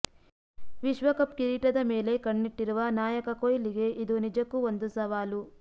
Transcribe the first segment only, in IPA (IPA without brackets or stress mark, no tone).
ʋ